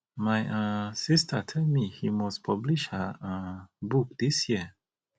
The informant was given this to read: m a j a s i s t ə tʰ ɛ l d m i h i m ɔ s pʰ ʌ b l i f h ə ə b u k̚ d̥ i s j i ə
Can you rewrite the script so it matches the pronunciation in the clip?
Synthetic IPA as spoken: m a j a s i s t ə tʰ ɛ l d m i h i m ɔ s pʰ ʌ b l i ʃ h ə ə b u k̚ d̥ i s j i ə